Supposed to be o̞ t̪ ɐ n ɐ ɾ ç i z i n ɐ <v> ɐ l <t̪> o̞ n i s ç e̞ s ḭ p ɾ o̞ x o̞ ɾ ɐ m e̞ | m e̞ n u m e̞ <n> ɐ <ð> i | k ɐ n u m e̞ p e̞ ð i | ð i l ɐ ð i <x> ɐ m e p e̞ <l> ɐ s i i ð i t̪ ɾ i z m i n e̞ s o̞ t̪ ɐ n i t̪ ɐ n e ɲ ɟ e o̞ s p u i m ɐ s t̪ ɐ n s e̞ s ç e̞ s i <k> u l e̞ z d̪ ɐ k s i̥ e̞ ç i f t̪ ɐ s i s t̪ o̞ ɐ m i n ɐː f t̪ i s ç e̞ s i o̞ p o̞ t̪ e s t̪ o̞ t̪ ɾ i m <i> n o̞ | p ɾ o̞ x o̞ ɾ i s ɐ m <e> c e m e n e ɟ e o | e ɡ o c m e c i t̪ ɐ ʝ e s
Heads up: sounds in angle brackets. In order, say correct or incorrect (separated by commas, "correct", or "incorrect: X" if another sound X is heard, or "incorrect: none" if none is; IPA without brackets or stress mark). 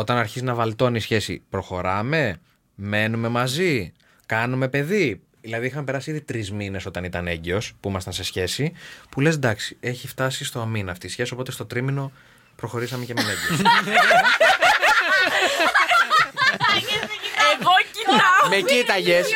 correct, correct, incorrect: m, incorrect: z, correct, incorrect: ɾ, incorrect: p, correct, correct